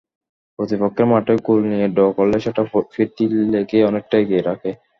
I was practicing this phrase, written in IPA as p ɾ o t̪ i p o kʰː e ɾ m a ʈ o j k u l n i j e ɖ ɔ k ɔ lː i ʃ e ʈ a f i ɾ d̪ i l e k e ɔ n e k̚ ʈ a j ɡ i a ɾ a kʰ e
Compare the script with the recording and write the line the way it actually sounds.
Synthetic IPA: p ɾ o t̪ i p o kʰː e ɾ m a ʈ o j k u l n i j e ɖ ɔ k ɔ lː e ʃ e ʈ a f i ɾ t̪ i l e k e ɔ n e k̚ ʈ a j ɡ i e ɾ a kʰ e